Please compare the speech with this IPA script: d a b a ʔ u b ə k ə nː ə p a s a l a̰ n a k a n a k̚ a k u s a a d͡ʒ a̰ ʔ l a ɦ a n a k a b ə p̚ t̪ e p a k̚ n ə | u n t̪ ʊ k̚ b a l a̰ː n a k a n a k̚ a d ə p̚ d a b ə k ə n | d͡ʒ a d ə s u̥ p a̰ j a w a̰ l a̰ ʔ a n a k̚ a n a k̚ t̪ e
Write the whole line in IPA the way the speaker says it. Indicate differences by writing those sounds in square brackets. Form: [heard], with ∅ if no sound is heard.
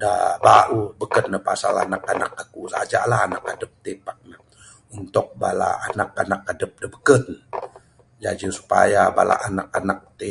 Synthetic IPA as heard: d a b a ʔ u b ə k ə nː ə p a s a l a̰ n a k a n a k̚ a k u s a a d͡ʒ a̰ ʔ l a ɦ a n a k a [d] ə p̚ t̪ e p a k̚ n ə | u n t̪ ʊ k̚ b a l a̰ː n a k a n a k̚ a d ə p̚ d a b ə k ə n | d͡ʒ a [d͡ʒ] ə s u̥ p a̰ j a [b] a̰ l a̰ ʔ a n a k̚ a n a k̚ t̪ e